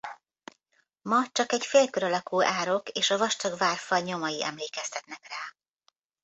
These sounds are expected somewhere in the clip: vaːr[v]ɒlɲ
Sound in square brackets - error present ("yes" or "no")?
yes